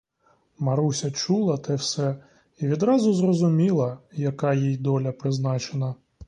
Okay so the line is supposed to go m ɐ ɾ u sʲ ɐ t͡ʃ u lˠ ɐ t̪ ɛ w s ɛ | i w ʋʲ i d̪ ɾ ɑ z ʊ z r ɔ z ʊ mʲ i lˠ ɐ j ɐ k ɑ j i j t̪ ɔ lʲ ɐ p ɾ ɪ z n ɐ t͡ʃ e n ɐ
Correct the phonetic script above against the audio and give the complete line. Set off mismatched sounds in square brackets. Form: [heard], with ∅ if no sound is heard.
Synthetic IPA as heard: m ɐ ɾ u sʲ ɐ t͡ʃ u lˠ ɐ t̪ ɛ w s ɛ | i [∅] ʋʲ i d̪ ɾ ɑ z ʊ z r ɔ z ʊ mʲ i lˠ ɐ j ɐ k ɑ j i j [d̪] ɔ lʲ ɐ p ɾ ɪ z n [ɑ] t͡ʃ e n ɐ